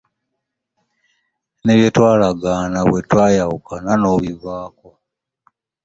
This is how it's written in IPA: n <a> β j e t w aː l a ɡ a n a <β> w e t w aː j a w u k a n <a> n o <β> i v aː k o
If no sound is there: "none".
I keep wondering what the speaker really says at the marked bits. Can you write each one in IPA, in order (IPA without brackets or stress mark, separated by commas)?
e, β, a, β